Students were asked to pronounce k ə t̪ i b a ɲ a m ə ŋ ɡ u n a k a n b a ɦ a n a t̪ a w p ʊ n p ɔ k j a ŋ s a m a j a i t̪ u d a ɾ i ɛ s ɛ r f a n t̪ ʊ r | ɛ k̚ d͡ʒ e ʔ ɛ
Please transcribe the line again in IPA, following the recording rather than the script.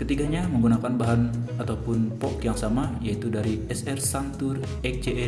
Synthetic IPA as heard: k ə t̪ i ɡ a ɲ a m ə ŋ ɡ u n a k a n b a ɦ a n a t̪ a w p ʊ n p ɔ k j a ŋ s a m a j a i t̪ u d a ɾ i ɛ s ɛ r s a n t̪ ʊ r | ɛ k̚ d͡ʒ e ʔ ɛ